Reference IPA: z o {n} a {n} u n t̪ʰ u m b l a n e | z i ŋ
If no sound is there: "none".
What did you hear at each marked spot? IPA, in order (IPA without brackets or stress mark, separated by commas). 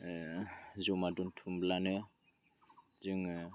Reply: m, d